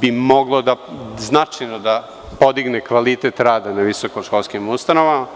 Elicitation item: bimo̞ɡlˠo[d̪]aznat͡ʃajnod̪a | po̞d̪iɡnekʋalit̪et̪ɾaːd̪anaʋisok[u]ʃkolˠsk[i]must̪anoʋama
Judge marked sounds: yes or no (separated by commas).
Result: yes, no, yes